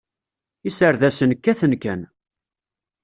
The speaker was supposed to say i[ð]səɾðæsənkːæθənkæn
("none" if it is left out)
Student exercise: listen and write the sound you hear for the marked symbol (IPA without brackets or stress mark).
none